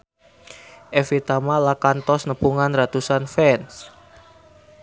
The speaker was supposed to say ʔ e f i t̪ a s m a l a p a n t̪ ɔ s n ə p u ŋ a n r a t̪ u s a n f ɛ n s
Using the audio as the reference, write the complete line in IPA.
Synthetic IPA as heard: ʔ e f i t̪ a m a l a k a n t̪ ɔ s n ə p u ŋ a n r a t̪ u s a n f ɛ n s